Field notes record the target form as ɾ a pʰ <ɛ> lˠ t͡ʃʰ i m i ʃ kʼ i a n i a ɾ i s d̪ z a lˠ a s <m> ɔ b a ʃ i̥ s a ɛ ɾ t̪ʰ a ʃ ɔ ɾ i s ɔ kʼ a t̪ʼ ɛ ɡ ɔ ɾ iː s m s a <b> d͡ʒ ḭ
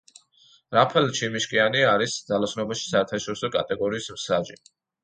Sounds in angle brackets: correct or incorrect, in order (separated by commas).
correct, incorrect, incorrect